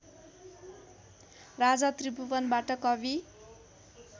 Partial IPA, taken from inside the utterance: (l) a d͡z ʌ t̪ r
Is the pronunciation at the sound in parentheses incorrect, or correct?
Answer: incorrect